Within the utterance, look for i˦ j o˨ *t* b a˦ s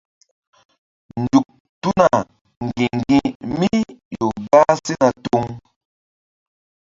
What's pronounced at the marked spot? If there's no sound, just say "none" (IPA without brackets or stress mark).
none